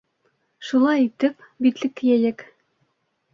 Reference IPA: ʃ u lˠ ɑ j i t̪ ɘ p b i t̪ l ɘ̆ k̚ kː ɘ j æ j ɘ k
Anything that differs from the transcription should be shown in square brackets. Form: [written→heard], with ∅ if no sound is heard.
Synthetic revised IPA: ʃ u lˠ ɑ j i t̪ ɘ p b i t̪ l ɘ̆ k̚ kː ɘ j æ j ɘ k